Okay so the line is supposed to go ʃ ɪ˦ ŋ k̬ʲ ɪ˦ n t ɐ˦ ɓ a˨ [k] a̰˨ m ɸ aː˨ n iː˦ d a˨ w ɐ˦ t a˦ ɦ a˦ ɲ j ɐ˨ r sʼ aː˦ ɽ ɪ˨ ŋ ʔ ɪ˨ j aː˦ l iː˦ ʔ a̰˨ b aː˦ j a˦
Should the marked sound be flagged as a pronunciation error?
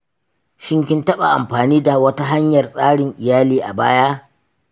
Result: yes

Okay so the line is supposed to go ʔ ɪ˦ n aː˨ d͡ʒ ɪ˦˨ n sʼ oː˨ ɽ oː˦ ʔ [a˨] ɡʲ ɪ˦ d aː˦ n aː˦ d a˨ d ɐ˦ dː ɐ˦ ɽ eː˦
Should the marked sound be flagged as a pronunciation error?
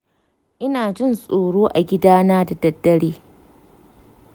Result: no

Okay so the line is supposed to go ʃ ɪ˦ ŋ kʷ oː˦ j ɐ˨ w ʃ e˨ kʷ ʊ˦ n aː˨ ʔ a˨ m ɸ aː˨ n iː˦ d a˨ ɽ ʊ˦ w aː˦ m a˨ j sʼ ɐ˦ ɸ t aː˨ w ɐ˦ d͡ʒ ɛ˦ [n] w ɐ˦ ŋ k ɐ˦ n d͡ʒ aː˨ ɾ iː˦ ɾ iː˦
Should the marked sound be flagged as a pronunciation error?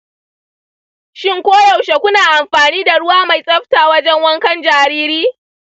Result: yes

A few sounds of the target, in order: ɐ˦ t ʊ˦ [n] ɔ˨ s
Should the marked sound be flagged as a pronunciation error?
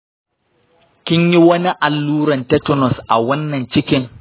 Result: no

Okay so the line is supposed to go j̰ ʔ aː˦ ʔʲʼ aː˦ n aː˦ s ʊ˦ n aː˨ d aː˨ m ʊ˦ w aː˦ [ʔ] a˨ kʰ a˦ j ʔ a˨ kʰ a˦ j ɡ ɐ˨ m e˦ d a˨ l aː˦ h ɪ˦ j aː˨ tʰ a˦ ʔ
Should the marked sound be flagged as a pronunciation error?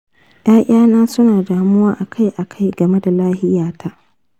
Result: no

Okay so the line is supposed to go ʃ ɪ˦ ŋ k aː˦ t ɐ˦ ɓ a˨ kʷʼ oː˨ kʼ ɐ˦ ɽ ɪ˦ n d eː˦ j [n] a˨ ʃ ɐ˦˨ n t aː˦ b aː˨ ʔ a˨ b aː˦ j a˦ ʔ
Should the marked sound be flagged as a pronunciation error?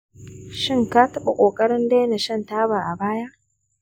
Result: no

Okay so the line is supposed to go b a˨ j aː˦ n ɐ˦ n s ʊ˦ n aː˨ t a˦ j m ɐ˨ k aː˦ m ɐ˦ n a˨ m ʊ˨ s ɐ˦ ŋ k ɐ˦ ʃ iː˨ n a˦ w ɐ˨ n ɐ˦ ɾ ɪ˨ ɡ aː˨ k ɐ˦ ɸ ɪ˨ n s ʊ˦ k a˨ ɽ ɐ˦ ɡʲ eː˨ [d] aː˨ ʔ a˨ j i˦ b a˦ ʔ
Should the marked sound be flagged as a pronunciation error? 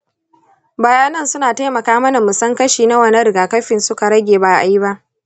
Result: yes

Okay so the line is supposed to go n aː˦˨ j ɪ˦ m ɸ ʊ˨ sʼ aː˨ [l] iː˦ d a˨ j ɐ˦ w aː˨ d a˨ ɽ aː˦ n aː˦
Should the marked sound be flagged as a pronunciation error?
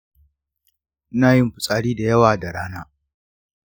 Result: yes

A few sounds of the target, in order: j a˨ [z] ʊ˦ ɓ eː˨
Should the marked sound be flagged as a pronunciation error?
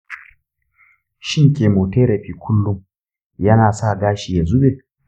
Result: no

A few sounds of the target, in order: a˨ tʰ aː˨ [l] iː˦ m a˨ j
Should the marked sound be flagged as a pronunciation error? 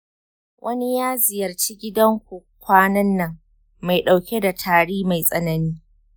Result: yes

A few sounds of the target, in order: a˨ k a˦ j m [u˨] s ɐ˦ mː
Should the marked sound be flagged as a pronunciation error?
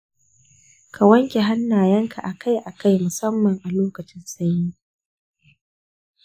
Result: yes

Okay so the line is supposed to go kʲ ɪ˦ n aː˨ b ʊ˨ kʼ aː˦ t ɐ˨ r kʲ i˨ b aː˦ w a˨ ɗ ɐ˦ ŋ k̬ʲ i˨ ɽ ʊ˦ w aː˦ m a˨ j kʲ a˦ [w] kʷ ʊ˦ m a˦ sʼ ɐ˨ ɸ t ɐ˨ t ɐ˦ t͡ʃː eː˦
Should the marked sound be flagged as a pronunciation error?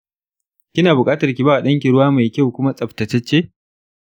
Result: no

